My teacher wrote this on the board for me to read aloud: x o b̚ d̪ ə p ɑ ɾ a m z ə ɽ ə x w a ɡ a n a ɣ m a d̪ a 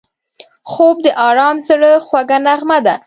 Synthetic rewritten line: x o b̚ d̪ ə ʔ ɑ ɾ ɑ m z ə ɽ ə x w a ɡ a n a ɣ m a d̪ a